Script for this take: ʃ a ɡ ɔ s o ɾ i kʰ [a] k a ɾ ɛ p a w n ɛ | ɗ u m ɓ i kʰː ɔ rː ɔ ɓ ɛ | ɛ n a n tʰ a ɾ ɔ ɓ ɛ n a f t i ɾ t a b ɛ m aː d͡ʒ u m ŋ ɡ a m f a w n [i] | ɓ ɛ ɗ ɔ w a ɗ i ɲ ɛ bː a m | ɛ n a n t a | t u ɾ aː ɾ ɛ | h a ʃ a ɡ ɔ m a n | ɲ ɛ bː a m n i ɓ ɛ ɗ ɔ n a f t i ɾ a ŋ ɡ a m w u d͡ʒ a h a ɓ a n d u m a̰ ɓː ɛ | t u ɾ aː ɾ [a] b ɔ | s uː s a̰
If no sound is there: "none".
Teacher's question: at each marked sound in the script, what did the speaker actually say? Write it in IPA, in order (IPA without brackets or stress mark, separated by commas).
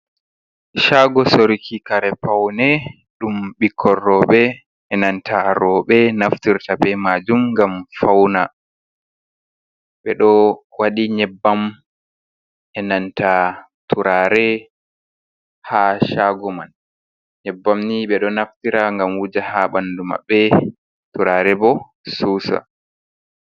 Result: i, a, ɛ